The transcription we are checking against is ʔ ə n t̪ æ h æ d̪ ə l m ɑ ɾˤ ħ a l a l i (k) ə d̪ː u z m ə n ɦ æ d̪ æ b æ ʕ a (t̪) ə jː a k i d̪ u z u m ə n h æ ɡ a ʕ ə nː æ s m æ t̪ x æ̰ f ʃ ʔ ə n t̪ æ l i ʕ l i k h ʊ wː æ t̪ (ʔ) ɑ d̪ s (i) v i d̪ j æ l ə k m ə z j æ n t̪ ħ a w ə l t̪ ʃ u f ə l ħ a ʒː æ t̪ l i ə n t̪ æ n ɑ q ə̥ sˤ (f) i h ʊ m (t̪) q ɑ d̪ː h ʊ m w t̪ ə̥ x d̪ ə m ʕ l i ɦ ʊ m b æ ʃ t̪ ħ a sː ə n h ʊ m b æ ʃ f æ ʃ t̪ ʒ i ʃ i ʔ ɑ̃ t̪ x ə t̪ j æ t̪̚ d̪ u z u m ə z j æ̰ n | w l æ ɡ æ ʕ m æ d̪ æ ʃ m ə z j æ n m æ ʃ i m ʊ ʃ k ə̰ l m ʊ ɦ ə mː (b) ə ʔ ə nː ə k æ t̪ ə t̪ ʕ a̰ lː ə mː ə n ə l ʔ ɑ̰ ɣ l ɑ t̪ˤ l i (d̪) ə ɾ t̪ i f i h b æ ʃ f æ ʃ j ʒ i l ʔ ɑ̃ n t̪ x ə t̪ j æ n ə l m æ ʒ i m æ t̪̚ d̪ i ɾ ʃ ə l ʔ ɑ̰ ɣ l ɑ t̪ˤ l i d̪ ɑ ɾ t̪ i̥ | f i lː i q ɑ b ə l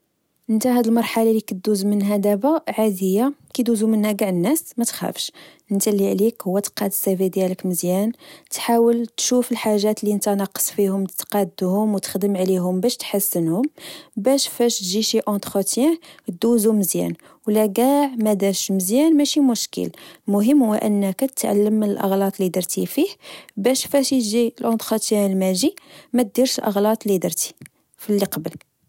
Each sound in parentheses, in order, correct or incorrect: correct, incorrect, incorrect, incorrect, correct, correct, incorrect, correct

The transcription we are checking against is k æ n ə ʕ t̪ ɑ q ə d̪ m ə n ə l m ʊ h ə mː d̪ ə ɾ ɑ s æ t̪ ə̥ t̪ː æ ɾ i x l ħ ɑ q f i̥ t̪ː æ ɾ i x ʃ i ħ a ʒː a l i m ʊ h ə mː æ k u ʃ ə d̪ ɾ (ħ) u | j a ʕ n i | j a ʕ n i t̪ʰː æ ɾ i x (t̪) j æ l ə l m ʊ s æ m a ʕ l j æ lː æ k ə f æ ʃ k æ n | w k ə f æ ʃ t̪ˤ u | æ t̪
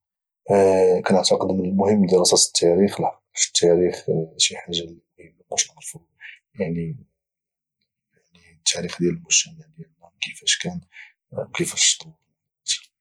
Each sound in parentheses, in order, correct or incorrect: incorrect, incorrect

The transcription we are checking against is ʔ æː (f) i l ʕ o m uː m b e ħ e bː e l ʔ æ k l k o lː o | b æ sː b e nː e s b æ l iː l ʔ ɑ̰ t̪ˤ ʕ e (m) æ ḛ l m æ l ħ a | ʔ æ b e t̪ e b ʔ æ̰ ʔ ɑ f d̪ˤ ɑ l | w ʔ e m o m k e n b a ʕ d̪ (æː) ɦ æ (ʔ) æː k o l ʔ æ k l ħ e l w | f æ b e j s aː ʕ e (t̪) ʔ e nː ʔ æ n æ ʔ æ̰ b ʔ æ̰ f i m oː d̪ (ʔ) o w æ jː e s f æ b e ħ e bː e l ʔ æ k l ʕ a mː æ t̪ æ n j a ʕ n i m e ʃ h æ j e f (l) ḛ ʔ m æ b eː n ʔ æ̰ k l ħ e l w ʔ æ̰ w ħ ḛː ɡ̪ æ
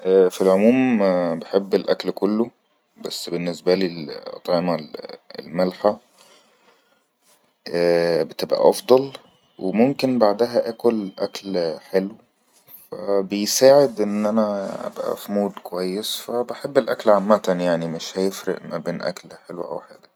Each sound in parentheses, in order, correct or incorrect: correct, correct, incorrect, correct, incorrect, incorrect, incorrect

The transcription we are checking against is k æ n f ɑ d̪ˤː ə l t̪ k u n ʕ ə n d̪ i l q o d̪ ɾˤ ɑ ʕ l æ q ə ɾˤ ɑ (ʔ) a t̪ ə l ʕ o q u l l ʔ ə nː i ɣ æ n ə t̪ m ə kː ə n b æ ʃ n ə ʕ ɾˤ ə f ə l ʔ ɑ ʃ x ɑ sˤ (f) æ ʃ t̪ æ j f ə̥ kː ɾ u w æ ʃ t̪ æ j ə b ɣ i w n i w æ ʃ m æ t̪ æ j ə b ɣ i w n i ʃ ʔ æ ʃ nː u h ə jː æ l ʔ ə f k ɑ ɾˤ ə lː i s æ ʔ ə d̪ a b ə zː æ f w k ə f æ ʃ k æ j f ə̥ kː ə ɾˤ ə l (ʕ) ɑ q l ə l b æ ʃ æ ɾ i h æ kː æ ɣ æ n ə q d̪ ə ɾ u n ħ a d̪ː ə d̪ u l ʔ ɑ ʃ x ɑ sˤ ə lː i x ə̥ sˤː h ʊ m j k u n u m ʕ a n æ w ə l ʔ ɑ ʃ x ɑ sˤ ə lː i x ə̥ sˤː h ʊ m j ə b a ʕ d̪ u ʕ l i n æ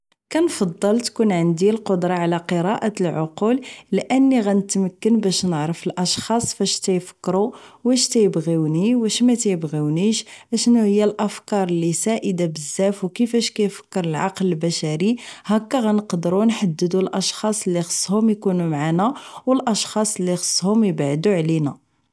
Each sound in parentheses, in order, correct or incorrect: correct, correct, correct

